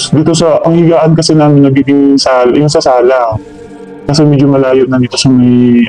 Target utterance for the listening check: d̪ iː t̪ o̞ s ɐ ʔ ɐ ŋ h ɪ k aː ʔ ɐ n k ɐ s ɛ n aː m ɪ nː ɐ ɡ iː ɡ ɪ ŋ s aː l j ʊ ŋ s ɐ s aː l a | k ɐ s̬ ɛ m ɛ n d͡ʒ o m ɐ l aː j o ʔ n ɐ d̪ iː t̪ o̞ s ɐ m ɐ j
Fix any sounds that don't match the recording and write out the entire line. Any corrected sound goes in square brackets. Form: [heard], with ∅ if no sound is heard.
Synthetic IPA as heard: d̪ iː t̪ o̞ s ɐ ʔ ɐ ŋ h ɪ [ɡ] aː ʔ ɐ n k ɐ s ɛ n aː m ɪ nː ɐ ɡ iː ɡ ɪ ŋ s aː l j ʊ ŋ s ɐ s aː l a | k ɐ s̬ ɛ m ɛ [∅] d͡ʒ o m ɐ l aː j o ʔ n ɐ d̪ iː t̪ o̞ s ɐ m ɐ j